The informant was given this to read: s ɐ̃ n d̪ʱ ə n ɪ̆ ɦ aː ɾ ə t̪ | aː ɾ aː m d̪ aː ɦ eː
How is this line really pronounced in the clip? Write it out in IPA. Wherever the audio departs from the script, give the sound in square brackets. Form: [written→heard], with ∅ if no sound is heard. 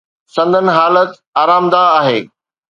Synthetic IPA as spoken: s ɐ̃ n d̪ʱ ə n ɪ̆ ɦ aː [ɾ→l] ə t̪ | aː ɾ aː m d̪ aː ɦ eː